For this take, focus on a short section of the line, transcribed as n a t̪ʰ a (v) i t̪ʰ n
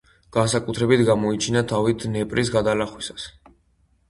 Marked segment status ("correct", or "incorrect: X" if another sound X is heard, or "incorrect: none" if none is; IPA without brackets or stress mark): correct